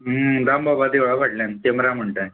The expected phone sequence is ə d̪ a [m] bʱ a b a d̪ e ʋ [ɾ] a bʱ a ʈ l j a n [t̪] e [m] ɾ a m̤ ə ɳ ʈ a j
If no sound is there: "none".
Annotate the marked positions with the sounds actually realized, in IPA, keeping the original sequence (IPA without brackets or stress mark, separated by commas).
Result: m, ɭ, t̪, m